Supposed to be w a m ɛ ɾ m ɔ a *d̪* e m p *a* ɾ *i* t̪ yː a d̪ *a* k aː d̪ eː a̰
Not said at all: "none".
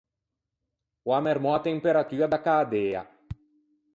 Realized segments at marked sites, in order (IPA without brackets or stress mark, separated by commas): t̪, e, a, a